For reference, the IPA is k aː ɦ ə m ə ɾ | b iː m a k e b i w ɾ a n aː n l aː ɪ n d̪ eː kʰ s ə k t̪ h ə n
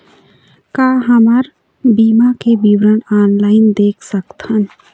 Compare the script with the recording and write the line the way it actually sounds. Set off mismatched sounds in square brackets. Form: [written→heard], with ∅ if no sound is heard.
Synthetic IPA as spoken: k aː ɦ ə m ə ɾ | b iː m a k e b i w ɾ [a→ə] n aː n l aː ɪ n d̪ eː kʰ s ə k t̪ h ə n